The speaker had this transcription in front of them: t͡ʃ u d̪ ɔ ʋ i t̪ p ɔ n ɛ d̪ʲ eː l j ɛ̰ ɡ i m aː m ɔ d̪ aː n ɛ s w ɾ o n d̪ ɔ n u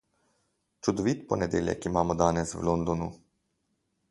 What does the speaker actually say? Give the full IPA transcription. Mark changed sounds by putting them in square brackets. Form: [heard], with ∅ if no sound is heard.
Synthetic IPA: t͡ʃ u d̪ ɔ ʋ i t̪ p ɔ n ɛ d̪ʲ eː l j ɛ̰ [k] i m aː m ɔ d̪ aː n ɛ s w [l] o n d̪ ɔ n u